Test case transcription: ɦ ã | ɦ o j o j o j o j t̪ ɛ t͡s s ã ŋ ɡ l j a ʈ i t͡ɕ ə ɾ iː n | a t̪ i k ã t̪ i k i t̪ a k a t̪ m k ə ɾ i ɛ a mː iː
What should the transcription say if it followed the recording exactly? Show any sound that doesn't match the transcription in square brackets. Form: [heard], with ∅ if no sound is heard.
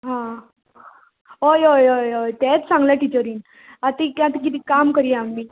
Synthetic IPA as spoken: ɦ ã | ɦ o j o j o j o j t̪ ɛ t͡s s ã ŋ ɡ l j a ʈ i t͡ɕ ə ɾ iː n | a t̪ i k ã t̪ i k i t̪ [i] k a [∅] m k ə ɾ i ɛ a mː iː